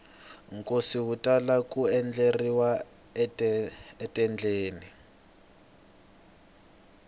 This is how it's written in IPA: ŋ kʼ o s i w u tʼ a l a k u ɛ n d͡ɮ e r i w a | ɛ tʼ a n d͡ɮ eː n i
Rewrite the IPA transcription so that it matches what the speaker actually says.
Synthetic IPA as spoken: ŋ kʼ o s i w u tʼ a l a k u ɛ n d͡ɮ e r i w a | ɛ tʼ ɛ n d͡ɮ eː n i